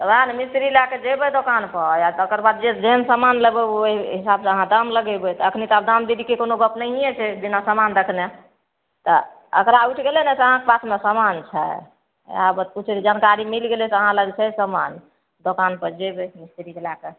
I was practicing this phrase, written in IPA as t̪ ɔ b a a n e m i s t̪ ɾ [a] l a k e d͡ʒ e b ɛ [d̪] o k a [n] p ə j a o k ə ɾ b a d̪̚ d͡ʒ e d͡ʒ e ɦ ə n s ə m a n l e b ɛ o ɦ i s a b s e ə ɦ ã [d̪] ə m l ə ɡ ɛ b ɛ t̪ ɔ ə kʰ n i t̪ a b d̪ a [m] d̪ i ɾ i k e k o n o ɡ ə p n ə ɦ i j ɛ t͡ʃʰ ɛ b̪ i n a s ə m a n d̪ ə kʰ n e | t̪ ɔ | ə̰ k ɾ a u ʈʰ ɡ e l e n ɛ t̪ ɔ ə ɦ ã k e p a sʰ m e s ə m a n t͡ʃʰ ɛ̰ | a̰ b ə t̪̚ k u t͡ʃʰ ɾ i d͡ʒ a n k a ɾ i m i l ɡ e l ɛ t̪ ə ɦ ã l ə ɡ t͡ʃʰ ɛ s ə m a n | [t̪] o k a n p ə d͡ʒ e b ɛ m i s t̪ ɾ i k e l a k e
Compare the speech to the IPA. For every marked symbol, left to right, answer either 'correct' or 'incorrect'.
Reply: incorrect, correct, correct, correct, correct, incorrect

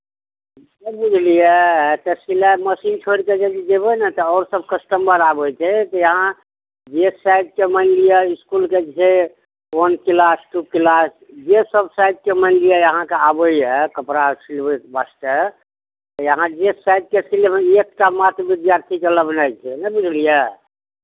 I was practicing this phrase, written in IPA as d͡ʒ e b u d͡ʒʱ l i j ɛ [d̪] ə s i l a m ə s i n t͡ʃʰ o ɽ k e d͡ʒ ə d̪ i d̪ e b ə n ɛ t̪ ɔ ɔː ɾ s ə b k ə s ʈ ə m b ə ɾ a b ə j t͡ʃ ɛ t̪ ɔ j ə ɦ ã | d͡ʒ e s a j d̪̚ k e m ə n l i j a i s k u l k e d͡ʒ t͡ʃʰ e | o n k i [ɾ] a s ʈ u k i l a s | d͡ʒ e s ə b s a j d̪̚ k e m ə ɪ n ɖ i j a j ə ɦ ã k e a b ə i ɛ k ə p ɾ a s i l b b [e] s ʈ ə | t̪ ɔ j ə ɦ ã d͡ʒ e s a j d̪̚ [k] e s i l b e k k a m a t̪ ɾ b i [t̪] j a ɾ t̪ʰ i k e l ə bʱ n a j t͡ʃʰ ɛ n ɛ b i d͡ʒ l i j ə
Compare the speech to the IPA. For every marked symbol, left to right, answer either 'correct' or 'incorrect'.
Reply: incorrect, incorrect, incorrect, correct, incorrect

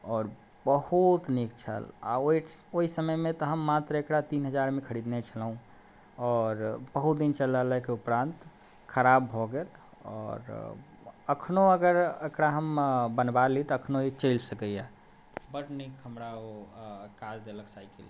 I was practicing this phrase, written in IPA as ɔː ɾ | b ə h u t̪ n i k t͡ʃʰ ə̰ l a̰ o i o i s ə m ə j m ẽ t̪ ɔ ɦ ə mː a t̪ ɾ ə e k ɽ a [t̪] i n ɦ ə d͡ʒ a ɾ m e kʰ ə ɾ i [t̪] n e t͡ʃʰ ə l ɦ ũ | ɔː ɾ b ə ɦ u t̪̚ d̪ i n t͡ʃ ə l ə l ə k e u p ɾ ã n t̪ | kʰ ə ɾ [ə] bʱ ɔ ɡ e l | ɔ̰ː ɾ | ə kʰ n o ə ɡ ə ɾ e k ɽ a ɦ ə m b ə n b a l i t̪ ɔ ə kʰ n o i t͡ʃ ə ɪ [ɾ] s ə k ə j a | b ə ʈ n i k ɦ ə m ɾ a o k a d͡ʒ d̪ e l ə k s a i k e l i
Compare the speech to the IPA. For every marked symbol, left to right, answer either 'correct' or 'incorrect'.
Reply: correct, incorrect, incorrect, incorrect

